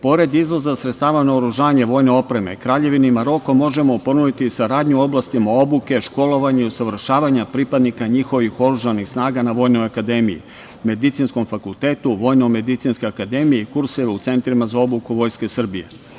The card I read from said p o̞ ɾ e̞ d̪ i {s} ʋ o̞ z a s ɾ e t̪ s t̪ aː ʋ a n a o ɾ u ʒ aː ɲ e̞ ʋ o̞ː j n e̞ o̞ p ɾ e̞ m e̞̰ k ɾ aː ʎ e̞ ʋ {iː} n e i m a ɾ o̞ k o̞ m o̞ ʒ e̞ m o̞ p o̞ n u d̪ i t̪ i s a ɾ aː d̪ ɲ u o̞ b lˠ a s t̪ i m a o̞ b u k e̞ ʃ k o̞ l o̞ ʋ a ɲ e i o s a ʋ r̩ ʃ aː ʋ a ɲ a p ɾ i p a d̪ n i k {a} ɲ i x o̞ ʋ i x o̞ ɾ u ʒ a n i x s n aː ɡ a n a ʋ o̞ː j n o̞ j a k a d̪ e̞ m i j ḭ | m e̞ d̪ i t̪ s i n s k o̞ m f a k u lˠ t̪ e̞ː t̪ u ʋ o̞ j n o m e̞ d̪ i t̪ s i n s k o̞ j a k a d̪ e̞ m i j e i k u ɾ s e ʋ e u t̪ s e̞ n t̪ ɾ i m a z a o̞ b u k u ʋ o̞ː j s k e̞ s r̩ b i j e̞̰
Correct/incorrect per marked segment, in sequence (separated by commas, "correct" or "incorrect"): incorrect, incorrect, correct